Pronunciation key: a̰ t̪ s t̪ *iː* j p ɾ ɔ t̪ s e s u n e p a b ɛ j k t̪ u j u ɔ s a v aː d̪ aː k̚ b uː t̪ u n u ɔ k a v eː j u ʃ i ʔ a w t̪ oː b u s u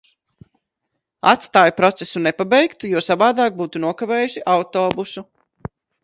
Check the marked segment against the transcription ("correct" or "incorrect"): incorrect